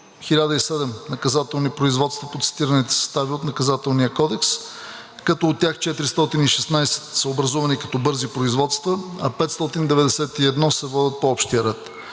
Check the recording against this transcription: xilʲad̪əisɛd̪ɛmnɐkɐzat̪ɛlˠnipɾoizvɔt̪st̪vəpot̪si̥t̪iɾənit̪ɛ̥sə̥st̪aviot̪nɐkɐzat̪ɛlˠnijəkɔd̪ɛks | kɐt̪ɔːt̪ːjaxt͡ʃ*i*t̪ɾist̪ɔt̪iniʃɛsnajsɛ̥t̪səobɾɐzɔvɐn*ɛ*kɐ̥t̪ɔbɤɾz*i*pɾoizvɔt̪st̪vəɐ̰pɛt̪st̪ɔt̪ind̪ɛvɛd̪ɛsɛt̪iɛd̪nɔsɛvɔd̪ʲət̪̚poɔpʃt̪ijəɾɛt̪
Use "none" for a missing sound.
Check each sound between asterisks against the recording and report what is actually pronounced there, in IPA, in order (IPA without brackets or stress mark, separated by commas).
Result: ɛ, i, i